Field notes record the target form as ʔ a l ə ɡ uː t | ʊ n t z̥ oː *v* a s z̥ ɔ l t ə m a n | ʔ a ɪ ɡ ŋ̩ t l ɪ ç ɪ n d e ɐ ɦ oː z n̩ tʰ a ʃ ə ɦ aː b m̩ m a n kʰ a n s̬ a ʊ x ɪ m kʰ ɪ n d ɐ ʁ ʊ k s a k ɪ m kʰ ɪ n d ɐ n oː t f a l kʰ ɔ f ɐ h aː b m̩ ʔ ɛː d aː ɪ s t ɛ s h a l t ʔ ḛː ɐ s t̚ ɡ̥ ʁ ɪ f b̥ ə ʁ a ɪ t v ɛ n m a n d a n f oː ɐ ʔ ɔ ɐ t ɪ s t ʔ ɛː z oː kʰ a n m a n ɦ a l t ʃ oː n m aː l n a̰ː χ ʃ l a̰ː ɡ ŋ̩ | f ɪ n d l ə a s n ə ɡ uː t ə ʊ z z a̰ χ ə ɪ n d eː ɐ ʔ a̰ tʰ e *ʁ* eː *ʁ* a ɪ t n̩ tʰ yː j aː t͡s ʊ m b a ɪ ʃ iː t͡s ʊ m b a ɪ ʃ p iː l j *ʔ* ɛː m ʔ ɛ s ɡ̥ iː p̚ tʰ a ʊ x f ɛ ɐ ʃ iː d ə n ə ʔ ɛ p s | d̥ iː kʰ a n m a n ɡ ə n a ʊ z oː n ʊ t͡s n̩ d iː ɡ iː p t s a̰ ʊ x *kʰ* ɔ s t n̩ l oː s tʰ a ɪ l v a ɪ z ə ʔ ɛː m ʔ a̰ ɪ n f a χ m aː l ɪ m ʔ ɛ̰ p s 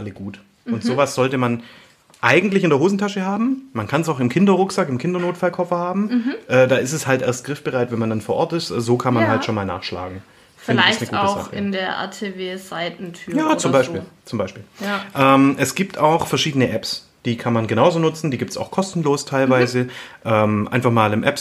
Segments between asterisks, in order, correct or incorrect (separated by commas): correct, incorrect, incorrect, correct, correct